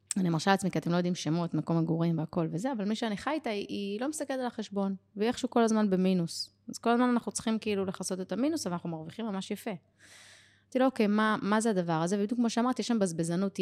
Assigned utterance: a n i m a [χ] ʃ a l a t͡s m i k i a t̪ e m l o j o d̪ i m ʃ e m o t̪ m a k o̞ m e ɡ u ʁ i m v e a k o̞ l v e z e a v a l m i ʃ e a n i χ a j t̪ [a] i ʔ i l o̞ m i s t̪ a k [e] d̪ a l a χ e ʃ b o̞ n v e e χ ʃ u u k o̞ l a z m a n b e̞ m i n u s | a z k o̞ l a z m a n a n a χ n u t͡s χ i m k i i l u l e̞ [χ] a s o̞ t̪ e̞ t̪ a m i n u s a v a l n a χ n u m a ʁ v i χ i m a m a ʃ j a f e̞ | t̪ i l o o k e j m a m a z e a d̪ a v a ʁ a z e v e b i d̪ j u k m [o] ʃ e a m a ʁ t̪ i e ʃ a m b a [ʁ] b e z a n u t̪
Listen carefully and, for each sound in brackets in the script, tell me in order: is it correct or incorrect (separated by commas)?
incorrect, correct, correct, correct, correct, incorrect